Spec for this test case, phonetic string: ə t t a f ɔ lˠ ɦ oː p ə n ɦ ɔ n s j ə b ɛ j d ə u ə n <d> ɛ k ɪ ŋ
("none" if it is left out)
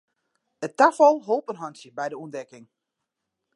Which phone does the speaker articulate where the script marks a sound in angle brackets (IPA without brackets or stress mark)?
d